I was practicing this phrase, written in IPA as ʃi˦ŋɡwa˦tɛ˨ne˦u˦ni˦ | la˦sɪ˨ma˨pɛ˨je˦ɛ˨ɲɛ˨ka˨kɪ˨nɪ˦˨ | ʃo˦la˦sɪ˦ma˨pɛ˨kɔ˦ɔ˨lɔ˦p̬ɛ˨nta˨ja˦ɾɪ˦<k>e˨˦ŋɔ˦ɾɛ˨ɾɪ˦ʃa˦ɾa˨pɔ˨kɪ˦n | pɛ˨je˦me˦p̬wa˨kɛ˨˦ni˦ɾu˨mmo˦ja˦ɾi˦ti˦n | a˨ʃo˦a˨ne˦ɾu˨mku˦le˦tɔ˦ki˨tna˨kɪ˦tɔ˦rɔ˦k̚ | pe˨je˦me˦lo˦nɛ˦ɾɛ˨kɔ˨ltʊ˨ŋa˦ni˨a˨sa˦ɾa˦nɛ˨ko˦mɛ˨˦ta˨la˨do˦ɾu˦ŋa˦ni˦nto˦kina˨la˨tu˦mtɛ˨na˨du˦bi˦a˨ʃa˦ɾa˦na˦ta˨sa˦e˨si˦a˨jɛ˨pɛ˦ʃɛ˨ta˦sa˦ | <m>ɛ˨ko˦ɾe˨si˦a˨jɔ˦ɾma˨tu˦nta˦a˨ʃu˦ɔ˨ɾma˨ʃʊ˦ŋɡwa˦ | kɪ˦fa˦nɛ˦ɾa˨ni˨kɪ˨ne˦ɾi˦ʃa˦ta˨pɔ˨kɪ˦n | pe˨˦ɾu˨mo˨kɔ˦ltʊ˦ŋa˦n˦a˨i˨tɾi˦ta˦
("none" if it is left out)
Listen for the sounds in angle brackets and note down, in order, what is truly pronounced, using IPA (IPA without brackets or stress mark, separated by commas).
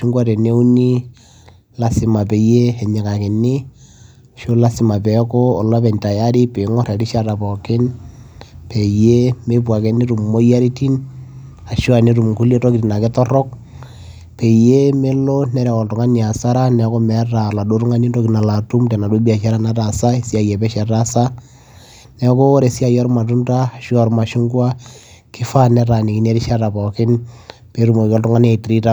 p, n